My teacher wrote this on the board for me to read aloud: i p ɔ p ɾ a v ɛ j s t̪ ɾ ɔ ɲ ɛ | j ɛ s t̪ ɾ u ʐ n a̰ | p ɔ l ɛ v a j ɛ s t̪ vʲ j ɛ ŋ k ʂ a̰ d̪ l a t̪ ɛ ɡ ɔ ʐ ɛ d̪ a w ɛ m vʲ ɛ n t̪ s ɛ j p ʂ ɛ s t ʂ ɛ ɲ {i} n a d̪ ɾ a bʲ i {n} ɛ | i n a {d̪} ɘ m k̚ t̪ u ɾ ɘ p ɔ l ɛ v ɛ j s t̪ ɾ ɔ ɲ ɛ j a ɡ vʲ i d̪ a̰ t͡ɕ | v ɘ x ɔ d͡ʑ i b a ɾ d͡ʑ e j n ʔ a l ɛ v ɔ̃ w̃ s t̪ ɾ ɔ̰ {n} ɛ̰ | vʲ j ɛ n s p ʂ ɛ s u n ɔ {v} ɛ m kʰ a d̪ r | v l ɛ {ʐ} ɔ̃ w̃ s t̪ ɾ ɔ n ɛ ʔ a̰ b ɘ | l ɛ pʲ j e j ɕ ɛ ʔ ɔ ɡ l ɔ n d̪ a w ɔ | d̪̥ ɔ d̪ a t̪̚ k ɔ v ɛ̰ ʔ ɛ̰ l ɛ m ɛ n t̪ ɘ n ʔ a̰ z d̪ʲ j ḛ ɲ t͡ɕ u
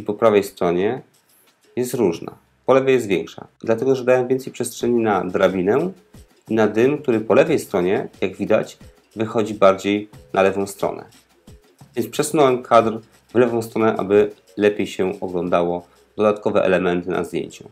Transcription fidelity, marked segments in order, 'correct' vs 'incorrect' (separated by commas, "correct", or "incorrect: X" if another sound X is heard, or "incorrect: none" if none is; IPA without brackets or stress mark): correct, correct, correct, correct, incorrect: w, incorrect: v